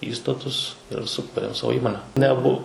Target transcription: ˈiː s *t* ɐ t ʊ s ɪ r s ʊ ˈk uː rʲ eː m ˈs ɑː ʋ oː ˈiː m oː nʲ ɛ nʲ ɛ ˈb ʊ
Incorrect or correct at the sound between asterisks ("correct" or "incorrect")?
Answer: correct